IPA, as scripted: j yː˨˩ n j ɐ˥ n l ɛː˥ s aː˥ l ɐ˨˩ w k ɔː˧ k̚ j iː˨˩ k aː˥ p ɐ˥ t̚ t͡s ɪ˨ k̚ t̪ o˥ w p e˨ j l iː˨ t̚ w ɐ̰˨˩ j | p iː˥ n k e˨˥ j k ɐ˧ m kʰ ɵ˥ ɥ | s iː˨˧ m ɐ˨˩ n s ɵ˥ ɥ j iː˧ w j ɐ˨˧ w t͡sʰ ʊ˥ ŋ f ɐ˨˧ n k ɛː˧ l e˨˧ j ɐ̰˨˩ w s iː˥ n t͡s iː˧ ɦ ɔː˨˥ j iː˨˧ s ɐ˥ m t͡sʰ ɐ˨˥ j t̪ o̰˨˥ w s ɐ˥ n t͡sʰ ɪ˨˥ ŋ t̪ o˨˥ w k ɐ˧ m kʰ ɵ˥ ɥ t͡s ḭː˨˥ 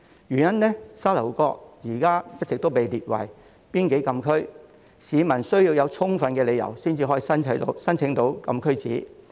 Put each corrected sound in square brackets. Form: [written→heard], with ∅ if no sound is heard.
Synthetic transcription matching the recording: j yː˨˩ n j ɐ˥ n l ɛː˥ s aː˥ l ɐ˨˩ w k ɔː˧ k̚ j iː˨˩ k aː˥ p ɐ˥ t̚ t͡s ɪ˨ k̚ t̪ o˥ w p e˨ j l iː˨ t̚ w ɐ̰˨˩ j | p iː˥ n k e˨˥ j k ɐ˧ m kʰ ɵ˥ ɥ | s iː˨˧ m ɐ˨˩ n s ɵ˥ ɥ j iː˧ w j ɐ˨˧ w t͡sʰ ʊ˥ ŋ f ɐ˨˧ n k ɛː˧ l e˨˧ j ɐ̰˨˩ w s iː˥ n t͡s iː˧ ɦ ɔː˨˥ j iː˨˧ s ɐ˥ [m→n] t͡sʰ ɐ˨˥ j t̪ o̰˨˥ w s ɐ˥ n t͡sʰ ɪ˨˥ ŋ t̪ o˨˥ w k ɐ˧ m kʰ ɵ˥ ɥ t͡s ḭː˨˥